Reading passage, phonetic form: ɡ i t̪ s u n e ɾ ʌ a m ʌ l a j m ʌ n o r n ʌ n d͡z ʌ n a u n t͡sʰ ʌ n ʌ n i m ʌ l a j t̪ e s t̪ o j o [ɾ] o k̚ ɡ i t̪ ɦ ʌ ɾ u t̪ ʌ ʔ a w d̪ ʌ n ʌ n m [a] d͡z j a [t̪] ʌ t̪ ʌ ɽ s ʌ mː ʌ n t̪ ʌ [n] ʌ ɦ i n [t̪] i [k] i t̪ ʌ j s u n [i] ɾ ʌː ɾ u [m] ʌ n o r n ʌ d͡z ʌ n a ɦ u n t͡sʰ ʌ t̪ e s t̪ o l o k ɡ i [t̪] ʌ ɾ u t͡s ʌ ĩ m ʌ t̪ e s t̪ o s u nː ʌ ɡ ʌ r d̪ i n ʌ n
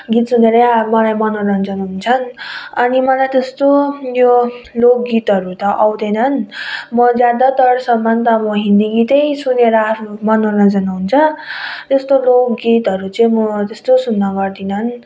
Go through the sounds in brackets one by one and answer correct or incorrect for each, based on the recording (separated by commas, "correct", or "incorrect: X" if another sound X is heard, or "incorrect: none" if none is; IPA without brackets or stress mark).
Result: incorrect: l, incorrect: ʌ, incorrect: d̪, incorrect: m, incorrect: d̪, incorrect: ɡ, incorrect: e, correct, correct